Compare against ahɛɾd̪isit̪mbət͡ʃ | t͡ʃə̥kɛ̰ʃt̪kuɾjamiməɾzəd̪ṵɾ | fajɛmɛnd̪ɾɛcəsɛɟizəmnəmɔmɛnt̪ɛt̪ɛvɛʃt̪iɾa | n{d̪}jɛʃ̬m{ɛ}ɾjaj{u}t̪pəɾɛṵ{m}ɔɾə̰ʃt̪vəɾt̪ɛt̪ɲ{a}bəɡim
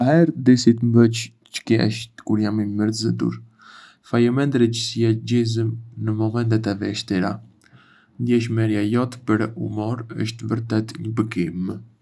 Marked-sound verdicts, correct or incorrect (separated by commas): correct, correct, incorrect, correct, incorrect